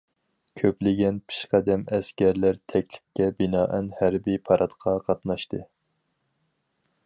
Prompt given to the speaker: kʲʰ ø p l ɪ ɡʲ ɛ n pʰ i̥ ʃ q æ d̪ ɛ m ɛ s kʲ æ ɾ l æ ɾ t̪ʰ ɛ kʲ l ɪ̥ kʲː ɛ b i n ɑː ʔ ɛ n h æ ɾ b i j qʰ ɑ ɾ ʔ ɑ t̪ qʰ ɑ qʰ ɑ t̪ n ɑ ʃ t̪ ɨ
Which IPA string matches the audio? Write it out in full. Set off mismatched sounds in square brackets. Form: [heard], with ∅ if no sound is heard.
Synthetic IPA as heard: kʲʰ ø p l ɪ ɡʲ ɛ n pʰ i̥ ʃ q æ d̪ ɛ m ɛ s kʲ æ ɾ l æ ɾ t̪ʰ ɛ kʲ l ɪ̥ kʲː ɛ b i n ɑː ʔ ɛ n h æ ɾ b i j [pʰ] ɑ ɾ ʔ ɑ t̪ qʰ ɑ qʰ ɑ t̪ n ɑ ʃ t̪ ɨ